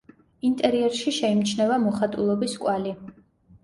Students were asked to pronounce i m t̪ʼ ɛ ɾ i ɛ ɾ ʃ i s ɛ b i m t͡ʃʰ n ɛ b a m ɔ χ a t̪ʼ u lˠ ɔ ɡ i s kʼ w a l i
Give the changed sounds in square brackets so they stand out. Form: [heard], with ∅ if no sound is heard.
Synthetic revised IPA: i [n] t̪ʼ ɛ ɾ i ɛ ɾ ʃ i [ʃ] ɛ [∅] i m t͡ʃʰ n ɛ [v] a m ɔ χ a t̪ʼ u lˠ ɔ [b] i s kʼ w a l i

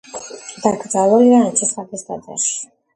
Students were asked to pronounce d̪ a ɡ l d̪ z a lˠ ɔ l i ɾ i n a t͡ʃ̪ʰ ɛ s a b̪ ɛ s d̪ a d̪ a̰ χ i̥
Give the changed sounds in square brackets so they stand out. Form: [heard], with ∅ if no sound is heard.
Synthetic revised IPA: d̪ a ɡ [ɾ] d̪ z a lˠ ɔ l i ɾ [a] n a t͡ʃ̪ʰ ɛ s a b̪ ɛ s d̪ a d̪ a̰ [ʃ] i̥

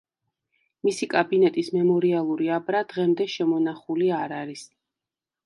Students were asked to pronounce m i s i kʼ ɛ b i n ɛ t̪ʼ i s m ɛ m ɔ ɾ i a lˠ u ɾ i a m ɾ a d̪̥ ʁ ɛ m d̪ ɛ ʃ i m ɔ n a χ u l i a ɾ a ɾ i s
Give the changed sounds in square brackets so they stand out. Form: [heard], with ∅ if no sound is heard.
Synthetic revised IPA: m i s i kʼ [a] b i n ɛ t̪ʼ i s m ɛ m ɔ ɾ i a lˠ u ɾ i a [b] ɾ a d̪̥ ʁ ɛ m d̪ ɛ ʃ [ɛ] m ɔ n a χ u l i a ɾ a ɾ i s

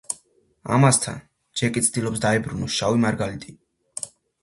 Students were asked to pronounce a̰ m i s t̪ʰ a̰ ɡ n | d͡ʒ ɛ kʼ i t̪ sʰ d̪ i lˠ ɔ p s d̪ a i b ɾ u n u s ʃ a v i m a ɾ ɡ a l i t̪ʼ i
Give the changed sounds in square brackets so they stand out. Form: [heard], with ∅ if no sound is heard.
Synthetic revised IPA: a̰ m [a] s t̪ʰ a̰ [∅] n | d͡ʒ ɛ kʼ i t̪ sʰ d̪ i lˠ ɔ p s d̪ a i b ɾ u n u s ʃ a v i m a ɾ ɡ a l i t̪ʼ i

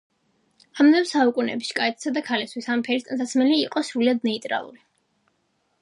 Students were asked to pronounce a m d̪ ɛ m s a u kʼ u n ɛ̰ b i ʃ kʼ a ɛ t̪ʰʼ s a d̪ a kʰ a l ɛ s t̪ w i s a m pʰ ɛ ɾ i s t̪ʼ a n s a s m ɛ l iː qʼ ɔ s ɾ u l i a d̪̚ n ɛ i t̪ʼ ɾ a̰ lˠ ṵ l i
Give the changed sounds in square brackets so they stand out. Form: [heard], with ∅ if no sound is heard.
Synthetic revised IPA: a m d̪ ɛ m s a u kʼ u n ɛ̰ b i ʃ kʼ a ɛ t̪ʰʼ s a d̪ a kʰ a l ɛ s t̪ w i s a m pʰ ɛ ɾ i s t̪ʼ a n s a s m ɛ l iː qʼ ɔ s ɾ u l i a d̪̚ n ɛ i t̪ʼ ɾ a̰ lˠ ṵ l i

